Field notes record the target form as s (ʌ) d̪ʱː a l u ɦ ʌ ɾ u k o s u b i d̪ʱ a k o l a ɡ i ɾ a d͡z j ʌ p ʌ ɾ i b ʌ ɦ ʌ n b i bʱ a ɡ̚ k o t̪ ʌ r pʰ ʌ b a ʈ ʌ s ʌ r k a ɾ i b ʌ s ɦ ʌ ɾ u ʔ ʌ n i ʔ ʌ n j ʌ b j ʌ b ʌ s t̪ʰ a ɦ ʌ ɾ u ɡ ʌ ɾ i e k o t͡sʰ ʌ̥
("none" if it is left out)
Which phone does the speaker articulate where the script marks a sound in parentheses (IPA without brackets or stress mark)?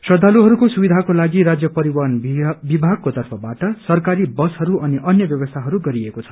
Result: ʌ